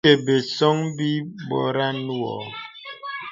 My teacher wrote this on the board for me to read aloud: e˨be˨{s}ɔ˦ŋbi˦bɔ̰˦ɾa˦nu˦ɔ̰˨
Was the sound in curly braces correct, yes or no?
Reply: yes